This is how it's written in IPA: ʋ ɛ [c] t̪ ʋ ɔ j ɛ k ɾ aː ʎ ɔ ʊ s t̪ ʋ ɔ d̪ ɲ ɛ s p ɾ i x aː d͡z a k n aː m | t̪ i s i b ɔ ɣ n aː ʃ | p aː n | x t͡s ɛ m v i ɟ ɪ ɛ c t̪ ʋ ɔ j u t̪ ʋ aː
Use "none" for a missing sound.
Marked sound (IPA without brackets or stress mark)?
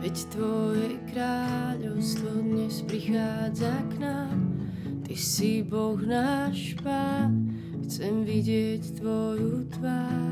c